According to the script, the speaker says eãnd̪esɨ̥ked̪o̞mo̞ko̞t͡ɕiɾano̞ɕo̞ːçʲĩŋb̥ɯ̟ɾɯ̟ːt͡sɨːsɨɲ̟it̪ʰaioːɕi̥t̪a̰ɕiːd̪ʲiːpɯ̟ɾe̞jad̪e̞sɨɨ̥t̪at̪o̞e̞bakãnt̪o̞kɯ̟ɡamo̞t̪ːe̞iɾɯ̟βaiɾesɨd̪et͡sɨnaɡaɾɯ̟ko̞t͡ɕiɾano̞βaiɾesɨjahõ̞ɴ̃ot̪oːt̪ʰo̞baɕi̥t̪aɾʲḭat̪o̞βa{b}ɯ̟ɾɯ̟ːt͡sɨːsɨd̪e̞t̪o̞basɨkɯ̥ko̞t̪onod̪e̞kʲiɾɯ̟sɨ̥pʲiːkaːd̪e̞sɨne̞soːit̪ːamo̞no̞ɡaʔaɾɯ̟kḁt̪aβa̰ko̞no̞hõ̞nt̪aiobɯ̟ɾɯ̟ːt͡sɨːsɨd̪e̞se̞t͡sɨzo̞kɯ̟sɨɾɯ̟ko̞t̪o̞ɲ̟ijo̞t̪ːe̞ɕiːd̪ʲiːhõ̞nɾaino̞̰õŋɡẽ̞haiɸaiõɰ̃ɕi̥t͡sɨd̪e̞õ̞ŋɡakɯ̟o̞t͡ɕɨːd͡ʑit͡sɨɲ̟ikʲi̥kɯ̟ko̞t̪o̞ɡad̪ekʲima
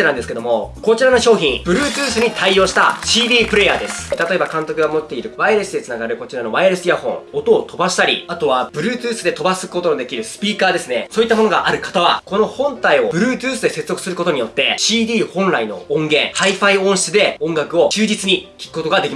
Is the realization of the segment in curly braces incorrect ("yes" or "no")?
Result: no